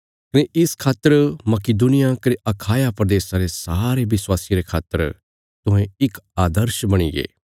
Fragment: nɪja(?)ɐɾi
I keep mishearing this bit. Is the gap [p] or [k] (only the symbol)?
k